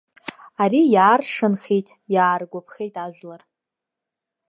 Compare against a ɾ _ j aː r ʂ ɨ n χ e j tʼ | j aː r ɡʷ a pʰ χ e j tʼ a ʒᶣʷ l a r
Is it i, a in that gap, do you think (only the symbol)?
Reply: i